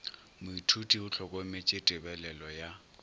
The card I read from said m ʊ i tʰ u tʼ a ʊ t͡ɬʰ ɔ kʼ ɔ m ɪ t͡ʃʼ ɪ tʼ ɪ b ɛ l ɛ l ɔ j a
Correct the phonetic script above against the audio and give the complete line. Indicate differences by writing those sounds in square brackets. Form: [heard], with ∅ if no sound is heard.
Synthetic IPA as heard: m ʊ i tʰ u tʼ [i] ʊ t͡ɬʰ ɔ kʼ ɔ m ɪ t͡ʃʼ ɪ tʼ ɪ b ɛ l ɛ l ɔ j a